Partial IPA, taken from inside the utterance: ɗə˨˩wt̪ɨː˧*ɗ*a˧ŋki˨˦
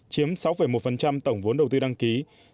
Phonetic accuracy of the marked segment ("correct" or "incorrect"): correct